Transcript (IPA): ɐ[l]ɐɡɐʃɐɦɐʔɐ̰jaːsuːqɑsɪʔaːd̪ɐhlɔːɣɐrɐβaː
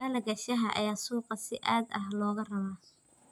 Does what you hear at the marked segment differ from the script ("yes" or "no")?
no